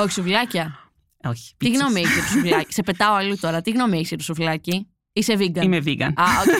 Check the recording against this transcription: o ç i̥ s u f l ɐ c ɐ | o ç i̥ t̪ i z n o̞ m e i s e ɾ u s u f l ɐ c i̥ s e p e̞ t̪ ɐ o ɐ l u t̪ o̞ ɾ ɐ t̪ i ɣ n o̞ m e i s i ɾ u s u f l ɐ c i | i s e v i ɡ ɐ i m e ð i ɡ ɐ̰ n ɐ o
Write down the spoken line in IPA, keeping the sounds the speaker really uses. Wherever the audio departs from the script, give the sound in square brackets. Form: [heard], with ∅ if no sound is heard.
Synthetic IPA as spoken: o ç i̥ s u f l ɐ c ɐ | o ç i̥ t̪ i [ɣ] n o̞ m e i s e ɾ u s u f l ɐ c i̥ s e p e̞ t̪ ɐ o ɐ l u t̪ o̞ ɾ ɐ t̪ i ɣ n o̞ m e i s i ɾ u s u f l ɐ c i | i s e v i ɡ ɐ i m e [v] i ɡ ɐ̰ n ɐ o